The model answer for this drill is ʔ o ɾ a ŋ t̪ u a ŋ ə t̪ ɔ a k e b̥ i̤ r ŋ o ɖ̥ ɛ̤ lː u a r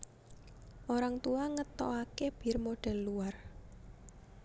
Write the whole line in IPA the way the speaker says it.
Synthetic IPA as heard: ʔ o ɾ a ŋ t̪ u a ŋ ə t̪ ɔ a k e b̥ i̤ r m o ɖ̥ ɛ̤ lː u a r